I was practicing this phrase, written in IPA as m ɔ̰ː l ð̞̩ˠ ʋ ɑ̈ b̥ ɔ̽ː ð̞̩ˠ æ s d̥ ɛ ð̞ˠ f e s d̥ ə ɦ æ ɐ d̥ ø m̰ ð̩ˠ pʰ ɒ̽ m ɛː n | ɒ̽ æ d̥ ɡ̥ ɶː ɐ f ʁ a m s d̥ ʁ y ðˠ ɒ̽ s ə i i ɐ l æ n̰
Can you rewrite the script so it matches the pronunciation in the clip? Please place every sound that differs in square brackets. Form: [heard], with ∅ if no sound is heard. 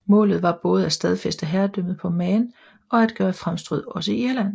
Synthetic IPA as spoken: m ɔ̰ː l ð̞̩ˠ ʋ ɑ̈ b̥ ɔ̽ː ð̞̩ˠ æ s d̥ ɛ ð̞ˠ f e s d̥ ə ɦ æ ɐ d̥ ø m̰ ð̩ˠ pʰ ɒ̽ m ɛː n | ɒ̽ æ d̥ ɡ̥ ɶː ɐ f ʁ a m s d̥ ʁ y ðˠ ɒ̽ s ə i i ɐ l æ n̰